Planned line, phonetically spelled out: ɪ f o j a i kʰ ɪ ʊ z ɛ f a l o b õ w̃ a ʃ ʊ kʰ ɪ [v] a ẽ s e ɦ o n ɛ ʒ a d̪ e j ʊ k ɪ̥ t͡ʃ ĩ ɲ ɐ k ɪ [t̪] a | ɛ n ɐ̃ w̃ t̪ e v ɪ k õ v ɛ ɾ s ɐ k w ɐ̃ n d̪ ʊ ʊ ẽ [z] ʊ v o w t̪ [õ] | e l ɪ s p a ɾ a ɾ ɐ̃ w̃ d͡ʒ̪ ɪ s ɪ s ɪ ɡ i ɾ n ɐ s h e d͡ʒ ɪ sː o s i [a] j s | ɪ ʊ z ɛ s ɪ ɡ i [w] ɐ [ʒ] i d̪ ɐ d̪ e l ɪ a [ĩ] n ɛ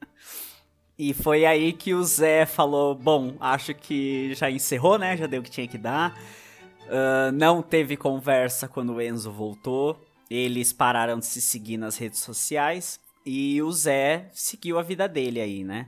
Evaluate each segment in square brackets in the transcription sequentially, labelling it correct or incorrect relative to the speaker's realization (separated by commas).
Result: incorrect, incorrect, correct, incorrect, correct, correct, incorrect, incorrect